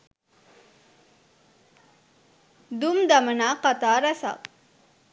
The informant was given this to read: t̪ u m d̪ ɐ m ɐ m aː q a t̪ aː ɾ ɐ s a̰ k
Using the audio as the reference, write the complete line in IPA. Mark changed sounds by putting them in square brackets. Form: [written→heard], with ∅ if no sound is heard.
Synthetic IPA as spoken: [t̪→d̪] u m d̪ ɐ m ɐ [m→n] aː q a t̪ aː ɾ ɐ s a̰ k